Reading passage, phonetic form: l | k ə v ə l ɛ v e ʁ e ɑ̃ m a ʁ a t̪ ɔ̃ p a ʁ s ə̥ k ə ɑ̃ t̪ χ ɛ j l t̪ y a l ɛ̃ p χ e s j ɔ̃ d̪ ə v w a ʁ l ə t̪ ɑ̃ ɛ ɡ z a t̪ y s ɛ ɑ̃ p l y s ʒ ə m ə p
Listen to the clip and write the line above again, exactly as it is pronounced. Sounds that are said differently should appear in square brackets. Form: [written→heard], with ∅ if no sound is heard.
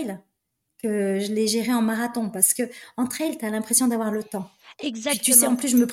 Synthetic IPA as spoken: l | k ə [v→ʒ] ə l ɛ [v→ʒ] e ʁ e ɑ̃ m a ʁ a t̪ ɔ̃ p a ʁ s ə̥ k ə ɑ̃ t̪ χ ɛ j l t̪ y a l ɛ̃ p χ e s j ɔ̃ d̪ [ə→a] v w a ʁ l ə t̪ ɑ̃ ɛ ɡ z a t̪ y s ɛ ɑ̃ p l y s ʒ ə m ə p